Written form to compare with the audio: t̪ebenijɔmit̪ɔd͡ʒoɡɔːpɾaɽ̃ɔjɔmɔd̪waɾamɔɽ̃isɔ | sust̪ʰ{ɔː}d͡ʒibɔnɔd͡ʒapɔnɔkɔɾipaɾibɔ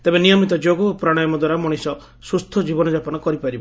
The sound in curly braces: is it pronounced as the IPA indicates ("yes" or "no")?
no